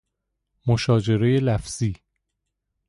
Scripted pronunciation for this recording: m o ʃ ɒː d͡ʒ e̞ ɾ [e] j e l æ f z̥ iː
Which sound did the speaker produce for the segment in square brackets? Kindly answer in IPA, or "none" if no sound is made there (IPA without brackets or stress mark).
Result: e